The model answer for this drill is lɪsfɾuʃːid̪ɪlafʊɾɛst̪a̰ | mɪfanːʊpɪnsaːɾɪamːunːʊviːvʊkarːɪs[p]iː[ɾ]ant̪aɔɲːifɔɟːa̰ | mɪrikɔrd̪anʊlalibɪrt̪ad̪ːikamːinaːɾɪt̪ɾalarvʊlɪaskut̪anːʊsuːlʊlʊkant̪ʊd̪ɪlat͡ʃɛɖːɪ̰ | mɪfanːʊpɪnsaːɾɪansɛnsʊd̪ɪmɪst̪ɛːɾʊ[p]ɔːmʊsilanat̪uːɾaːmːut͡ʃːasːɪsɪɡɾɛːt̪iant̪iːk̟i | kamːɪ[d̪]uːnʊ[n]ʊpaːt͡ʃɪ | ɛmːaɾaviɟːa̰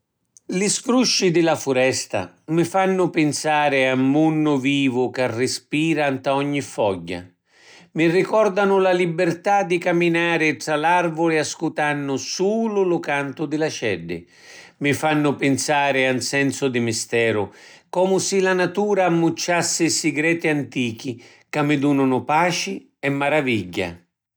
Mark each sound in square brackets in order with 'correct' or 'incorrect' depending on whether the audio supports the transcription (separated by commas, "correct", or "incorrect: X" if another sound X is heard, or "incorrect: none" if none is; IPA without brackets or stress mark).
correct, correct, incorrect: k, correct, correct